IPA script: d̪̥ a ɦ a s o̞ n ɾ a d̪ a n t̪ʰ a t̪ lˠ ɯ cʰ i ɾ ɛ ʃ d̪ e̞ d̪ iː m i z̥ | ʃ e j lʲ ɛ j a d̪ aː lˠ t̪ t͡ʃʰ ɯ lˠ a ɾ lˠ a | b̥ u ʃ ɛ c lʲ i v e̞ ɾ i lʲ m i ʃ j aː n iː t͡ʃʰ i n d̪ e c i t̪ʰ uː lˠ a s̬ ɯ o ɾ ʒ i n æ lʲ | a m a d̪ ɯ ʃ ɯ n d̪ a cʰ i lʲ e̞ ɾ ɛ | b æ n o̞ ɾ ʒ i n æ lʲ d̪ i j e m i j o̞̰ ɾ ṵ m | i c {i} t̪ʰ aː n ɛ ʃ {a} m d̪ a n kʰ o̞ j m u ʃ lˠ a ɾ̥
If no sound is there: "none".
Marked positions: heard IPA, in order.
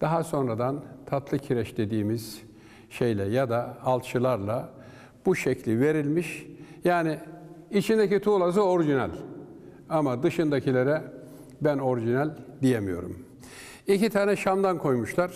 i, a

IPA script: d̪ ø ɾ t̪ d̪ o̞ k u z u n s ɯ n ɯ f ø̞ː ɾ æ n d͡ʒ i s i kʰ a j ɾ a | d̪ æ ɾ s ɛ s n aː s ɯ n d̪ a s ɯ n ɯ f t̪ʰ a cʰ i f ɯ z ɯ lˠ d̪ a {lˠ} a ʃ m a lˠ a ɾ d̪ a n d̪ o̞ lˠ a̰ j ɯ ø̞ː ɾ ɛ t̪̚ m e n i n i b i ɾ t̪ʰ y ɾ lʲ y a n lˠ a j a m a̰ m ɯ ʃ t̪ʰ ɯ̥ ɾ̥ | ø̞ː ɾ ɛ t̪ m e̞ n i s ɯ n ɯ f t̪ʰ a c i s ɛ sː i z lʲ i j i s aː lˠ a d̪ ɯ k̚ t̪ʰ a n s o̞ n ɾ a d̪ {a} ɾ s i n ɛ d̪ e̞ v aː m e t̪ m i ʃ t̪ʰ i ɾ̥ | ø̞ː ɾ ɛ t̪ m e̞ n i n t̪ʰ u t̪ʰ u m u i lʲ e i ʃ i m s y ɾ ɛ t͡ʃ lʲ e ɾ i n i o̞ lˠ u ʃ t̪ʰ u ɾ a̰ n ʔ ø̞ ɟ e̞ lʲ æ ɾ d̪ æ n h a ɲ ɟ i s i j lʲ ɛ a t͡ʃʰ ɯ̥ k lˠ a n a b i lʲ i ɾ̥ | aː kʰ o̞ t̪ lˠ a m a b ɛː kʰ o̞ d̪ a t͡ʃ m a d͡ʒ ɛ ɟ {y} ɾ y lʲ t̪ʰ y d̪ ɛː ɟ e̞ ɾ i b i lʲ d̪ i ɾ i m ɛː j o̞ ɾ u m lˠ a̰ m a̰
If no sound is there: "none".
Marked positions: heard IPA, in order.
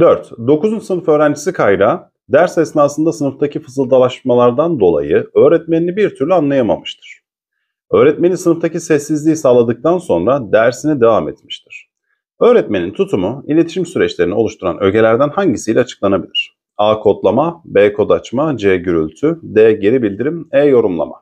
lˠ, æ, y

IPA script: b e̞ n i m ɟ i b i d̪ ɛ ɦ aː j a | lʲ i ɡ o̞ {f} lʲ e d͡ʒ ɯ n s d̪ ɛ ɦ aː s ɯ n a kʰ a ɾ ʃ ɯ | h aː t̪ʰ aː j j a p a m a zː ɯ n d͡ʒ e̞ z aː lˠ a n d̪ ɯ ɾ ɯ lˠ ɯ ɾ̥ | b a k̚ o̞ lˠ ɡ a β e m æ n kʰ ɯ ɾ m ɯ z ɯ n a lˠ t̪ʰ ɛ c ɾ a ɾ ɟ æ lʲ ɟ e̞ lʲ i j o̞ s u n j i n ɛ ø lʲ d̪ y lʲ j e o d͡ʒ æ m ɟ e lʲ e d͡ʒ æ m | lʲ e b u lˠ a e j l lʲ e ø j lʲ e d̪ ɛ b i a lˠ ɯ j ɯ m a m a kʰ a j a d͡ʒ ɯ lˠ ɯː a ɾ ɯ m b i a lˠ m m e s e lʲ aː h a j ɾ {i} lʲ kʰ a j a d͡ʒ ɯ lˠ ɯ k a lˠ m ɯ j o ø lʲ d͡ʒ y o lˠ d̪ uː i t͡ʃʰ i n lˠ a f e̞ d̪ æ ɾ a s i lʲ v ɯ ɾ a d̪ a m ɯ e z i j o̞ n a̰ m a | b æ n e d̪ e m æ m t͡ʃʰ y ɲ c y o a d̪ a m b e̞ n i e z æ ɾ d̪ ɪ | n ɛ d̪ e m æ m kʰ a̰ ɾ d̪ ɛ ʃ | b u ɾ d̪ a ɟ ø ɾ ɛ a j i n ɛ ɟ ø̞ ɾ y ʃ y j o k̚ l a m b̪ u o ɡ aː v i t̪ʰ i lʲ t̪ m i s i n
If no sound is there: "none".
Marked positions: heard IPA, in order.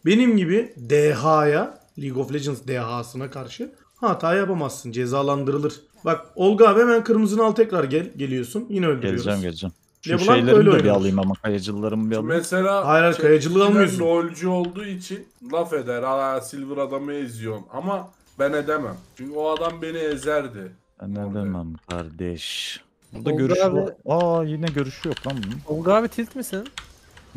f, a

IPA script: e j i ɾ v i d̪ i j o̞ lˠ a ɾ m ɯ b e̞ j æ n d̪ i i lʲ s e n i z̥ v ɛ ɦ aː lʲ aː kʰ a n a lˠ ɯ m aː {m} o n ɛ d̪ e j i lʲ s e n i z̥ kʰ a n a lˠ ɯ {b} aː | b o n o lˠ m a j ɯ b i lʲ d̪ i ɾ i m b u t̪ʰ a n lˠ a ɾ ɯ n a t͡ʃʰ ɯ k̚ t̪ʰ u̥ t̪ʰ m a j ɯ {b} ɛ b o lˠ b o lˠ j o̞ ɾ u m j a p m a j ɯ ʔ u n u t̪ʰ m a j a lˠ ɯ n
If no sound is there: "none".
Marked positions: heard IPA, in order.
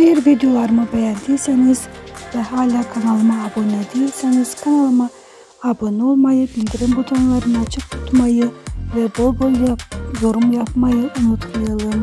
b, m, v

